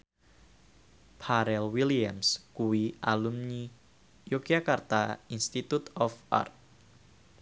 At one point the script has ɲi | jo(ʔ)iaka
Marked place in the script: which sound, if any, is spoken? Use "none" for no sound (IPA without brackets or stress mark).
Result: k